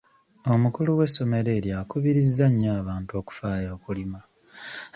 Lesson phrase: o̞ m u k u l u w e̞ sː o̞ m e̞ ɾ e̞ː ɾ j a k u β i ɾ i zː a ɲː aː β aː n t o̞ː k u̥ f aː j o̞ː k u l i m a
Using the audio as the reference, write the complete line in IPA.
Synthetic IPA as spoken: o̞ m u k u l u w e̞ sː o̞ m e̞ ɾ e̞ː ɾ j a k u β i ɾ i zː a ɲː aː β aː n t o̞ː k u̥ f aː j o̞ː k u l i m a